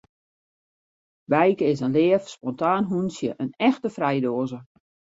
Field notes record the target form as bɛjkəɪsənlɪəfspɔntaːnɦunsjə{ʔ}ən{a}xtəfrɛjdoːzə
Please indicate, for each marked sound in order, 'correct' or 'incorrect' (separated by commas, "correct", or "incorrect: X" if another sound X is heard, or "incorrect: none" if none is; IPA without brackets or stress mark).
correct, incorrect: ɛ